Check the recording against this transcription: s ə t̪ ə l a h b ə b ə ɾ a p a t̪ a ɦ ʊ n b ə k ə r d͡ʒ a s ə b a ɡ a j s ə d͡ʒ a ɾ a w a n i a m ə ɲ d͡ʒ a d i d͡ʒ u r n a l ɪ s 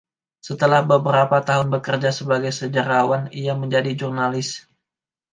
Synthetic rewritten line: s ə t̪ ə l a h b ə b ə ɾ a p a t̪ a ɦ ʊ n b ə k ə r d͡ʒ a s ə b a ɡ a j s ə d͡ʒ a ɾ a w a n i a m ə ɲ d͡ʒ a d i d͡ʒ u r n a l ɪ s